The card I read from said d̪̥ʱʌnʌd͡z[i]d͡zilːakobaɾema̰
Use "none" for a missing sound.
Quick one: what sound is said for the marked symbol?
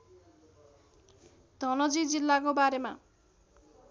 i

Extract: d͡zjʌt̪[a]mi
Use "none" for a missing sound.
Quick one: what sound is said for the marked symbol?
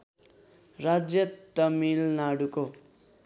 ʌ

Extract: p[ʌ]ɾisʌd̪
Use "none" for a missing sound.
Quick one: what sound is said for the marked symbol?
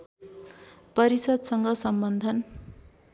ʌ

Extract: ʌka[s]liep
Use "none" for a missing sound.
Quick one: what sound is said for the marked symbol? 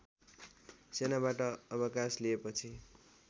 s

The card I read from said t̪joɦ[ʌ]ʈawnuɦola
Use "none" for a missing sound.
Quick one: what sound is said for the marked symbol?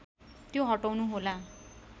ʌ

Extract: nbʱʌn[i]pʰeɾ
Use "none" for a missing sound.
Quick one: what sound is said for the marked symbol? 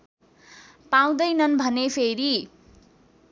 e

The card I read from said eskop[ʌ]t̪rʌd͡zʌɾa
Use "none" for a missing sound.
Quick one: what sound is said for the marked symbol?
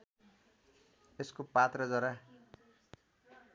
a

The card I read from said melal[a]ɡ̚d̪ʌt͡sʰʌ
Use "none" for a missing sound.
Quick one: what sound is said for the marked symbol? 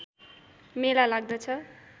a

